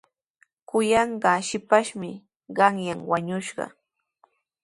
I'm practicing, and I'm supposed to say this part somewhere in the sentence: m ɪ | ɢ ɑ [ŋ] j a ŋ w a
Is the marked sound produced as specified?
yes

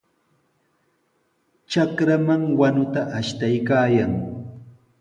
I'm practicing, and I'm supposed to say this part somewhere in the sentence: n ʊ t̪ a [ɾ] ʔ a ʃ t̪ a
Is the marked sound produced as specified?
no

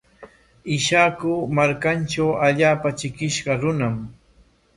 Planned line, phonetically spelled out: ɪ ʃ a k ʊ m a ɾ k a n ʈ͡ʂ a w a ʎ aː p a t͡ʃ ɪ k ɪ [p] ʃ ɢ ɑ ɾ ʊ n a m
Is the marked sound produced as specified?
no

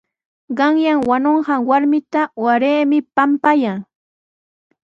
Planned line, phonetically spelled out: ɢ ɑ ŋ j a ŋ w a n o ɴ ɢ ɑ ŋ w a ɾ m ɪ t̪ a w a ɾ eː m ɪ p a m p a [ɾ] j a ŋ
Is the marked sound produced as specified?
no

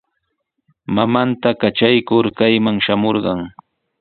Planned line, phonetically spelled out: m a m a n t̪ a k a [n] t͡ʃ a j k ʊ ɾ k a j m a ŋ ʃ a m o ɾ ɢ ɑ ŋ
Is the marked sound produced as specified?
no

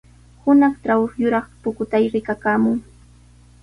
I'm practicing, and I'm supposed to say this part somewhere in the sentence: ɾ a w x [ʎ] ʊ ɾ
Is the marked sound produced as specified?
no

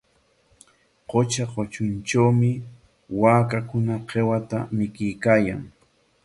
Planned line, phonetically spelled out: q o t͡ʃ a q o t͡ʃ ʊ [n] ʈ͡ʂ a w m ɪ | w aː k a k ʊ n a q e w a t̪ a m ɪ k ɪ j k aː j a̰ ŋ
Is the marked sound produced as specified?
yes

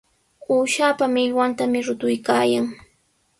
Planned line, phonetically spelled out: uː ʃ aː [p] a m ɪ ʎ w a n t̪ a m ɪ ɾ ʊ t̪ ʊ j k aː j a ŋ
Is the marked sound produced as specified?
yes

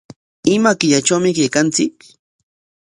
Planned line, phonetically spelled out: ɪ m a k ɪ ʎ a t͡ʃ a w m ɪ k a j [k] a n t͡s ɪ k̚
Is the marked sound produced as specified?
yes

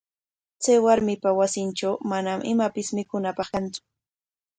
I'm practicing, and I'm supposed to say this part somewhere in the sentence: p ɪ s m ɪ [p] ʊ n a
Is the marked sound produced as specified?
no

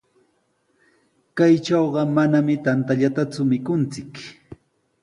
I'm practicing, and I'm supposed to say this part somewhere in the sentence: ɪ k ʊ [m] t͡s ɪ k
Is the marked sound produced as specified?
no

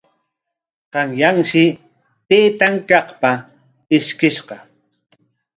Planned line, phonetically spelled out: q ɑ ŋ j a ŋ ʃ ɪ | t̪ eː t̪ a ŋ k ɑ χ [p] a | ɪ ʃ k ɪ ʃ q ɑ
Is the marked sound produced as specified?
yes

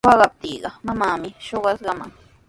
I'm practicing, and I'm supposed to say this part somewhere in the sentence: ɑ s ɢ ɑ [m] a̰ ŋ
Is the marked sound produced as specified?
yes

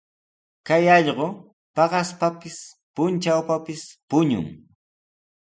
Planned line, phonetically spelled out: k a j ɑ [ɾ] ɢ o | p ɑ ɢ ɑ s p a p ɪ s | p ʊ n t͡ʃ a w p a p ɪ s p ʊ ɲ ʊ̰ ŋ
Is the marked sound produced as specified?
no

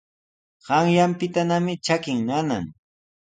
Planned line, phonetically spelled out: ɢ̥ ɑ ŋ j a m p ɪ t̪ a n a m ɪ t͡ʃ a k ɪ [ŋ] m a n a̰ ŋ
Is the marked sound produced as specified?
yes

